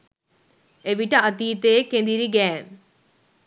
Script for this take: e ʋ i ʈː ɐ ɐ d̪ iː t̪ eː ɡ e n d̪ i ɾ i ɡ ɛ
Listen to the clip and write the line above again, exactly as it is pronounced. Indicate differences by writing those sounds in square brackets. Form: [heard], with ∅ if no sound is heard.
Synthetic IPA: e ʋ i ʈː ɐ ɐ [t̪] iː t̪ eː [k] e n d̪ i ɾ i ɡ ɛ